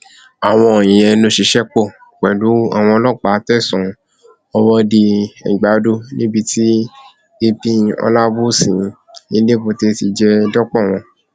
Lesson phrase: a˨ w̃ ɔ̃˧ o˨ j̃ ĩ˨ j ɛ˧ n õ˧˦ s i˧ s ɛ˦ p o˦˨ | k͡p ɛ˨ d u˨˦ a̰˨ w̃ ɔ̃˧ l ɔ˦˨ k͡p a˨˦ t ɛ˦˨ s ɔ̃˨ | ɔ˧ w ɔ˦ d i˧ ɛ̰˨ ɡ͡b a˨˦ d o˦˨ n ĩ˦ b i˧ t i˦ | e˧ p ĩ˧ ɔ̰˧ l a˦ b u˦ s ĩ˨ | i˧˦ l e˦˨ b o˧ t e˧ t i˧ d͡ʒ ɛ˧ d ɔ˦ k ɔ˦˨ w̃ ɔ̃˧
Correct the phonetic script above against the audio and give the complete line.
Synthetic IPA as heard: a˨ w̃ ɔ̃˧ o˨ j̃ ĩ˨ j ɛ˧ n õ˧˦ ʃ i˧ ʃ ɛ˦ k͡p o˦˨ | k͡p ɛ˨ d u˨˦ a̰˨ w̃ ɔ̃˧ l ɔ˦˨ k͡p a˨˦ t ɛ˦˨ s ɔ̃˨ | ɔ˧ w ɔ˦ d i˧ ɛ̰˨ ɡ͡b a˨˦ d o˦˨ n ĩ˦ b i˧ t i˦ | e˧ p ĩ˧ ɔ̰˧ l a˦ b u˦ s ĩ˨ | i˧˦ l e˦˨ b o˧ t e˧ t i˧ d͡ʒ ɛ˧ d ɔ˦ k͡p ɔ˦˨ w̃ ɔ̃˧